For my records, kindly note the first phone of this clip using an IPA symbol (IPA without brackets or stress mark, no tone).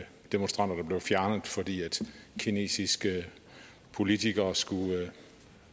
d̥